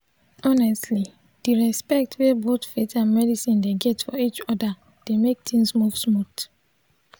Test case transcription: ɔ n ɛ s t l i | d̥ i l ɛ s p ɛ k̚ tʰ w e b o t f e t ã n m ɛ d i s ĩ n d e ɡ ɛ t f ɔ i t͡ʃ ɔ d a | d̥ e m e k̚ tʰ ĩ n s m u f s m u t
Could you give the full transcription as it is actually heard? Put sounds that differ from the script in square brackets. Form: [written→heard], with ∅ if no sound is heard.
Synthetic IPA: ɔ n ɛ s t l i | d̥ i [l→ɹ] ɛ s p ɛ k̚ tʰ w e b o t f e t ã n m ɛ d i s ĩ n d e ɡ ɛ t f ɔ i t͡ʃ ɔ d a | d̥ e m e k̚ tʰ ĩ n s m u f s m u t